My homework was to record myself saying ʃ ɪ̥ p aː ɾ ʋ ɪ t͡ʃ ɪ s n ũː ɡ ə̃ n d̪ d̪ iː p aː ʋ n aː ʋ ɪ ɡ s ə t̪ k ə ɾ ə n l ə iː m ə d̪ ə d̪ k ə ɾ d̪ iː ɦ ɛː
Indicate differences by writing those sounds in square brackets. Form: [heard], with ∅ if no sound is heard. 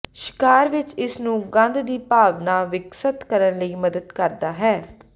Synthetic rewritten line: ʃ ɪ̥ [k] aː ɾ ʋ ɪ t͡ʃ ɪ s n ũː ɡ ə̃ n d̪ d̪ iː p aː ʋ n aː ʋ ɪ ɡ s ə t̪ k ə ɾ ə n l ə iː m ə d̪ ə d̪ k ə ɾ d̪ [aː] ɦ ɛː